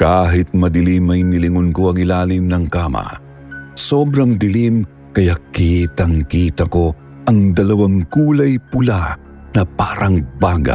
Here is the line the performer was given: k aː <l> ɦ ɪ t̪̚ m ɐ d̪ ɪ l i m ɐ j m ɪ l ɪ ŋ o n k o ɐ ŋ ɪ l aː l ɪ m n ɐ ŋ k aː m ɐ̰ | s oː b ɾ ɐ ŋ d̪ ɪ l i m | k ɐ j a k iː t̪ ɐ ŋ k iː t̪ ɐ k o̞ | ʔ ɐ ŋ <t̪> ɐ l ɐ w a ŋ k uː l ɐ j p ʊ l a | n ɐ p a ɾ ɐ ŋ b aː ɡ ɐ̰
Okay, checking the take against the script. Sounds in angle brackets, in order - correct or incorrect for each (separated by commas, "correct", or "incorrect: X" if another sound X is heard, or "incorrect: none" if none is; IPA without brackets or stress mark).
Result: incorrect: none, incorrect: d̪